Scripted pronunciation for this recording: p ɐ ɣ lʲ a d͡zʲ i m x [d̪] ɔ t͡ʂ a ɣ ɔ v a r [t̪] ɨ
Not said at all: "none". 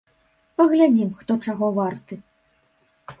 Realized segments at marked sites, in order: t̪, t̪

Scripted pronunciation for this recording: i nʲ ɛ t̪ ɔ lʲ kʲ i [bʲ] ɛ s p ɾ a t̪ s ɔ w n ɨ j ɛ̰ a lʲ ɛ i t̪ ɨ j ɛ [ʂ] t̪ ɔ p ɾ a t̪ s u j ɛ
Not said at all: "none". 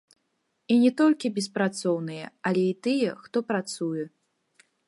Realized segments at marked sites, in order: bʲ, x

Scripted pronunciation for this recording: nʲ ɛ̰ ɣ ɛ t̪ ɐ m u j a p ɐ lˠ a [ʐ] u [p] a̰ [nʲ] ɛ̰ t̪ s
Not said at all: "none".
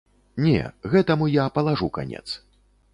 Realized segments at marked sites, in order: ʐ, k, nʲ

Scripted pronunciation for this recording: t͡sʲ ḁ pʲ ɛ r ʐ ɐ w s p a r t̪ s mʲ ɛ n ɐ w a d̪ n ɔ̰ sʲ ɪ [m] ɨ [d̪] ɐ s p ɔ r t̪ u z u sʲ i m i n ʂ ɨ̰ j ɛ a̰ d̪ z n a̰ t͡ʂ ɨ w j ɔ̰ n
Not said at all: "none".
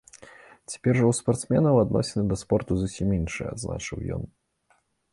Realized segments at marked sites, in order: n, d̪

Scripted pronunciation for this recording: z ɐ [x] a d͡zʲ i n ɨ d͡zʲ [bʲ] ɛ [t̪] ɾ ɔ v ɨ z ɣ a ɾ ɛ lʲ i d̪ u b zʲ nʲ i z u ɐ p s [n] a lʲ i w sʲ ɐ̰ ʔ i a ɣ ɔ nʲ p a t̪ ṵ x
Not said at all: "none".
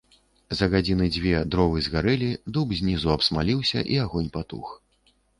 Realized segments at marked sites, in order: ɣ, vʲ, d̪, m

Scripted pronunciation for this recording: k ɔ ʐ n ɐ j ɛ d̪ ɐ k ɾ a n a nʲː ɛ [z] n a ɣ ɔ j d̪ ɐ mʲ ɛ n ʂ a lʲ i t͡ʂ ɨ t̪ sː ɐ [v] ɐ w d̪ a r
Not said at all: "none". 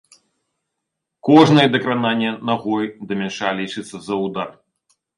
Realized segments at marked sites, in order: none, z

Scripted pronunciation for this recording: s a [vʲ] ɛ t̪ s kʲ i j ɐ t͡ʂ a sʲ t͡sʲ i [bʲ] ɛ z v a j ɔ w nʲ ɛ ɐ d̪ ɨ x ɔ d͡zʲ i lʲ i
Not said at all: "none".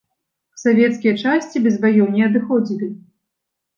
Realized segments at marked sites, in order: vʲ, bʲ

